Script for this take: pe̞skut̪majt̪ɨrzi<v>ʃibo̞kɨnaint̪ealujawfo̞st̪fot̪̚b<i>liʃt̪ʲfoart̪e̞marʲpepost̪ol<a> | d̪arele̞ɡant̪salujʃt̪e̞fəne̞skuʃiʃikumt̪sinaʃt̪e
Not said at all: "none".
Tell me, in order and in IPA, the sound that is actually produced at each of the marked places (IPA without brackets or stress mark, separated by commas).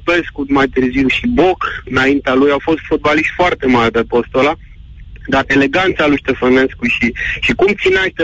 w, a, a